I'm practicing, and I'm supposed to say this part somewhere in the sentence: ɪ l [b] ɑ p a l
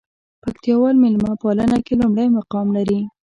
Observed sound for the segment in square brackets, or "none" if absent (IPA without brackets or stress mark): m